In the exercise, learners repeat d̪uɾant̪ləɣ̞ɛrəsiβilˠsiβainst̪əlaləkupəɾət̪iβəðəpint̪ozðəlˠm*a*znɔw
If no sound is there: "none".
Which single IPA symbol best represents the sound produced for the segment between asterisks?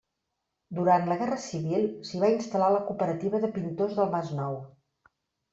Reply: a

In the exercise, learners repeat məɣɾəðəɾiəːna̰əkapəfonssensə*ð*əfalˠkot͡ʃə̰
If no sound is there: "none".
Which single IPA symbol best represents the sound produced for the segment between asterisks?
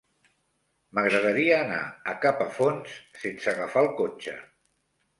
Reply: ɣ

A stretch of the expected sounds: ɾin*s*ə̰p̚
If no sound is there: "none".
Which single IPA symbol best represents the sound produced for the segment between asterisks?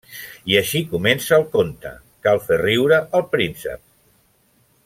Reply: s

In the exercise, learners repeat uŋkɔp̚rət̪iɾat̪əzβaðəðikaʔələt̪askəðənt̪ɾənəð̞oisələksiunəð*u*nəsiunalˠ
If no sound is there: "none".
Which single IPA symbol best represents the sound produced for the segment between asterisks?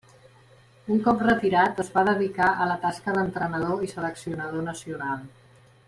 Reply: o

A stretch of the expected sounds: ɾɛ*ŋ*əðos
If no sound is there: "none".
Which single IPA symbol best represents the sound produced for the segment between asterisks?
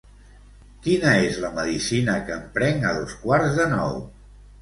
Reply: ŋ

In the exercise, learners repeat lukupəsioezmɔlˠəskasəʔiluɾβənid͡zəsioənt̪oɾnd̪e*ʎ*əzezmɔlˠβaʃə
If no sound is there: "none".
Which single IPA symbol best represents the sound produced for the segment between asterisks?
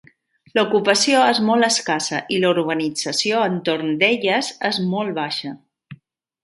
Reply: ʎ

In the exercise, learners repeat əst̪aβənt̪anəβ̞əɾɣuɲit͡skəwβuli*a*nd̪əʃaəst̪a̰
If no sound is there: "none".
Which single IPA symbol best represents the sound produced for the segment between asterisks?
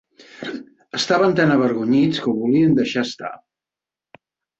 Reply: ə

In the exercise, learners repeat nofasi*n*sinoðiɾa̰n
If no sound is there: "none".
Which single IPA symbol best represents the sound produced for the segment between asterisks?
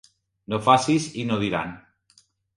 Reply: none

